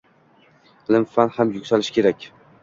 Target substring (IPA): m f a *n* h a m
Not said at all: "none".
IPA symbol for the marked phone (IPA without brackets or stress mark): n